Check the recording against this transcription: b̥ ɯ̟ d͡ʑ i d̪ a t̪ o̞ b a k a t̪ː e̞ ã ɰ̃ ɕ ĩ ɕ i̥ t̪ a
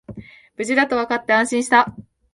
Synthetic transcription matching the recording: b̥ ɯ̟ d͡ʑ i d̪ a t̪ o̞ β a k a t̪ː e̞ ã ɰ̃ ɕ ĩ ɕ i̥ t̪ a